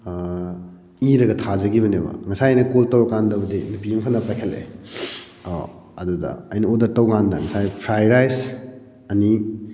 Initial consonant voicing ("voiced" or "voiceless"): voiced